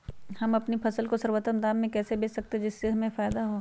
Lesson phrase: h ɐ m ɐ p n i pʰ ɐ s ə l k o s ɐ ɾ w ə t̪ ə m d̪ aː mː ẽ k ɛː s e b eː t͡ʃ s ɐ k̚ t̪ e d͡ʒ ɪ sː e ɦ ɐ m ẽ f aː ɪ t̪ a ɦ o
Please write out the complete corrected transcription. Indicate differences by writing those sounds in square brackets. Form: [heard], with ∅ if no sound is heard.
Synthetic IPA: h ɐ m ɐ p n i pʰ ɐ s ə l k o s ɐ ɾ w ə t̪ ə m d̪ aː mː ẽ k ɛː s e b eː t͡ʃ s ɐ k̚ t̪ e d͡ʒ ɪ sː e ɦ ɐ m ẽ f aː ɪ [d̪] a ɦ o